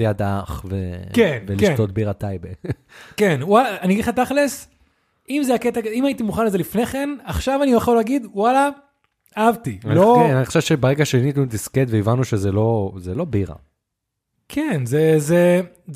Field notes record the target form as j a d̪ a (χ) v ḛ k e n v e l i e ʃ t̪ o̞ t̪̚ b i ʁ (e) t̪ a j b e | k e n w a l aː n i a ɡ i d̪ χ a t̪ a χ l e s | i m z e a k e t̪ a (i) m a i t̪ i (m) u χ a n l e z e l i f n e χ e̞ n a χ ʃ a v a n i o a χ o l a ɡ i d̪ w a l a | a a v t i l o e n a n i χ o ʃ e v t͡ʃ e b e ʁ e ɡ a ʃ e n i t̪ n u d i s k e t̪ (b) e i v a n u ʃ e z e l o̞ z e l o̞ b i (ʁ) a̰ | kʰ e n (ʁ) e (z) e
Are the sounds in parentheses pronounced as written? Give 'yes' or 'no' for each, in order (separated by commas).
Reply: yes, no, yes, yes, no, yes, no, yes